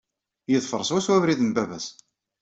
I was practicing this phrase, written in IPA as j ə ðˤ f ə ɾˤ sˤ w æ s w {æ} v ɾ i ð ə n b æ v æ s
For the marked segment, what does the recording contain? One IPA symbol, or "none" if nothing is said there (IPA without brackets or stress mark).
æ